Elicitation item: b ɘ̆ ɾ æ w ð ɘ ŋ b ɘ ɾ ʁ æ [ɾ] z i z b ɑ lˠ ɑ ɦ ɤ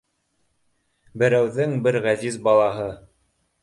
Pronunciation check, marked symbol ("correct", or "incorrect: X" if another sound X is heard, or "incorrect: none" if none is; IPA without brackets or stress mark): incorrect: none